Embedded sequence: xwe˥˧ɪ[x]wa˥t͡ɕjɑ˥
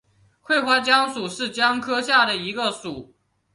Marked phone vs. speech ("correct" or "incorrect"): correct